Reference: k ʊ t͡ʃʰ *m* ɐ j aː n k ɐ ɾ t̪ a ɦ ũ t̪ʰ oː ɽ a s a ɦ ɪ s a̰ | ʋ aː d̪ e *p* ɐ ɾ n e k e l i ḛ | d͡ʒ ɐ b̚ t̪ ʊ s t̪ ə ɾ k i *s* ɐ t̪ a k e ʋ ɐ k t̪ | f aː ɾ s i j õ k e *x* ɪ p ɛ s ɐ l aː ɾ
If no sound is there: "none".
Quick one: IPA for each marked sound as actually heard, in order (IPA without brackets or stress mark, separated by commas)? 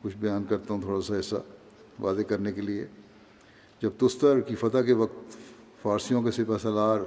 b, k, f, s